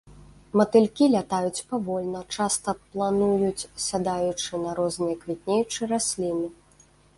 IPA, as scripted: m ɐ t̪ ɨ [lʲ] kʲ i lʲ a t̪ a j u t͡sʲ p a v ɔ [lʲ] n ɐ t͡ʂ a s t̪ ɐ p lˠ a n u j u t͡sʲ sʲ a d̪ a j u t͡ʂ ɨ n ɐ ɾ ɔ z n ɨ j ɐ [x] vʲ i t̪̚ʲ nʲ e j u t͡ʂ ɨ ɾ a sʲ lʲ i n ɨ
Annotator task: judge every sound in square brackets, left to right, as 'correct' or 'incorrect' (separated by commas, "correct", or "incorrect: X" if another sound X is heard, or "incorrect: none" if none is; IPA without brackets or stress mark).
correct, correct, incorrect: k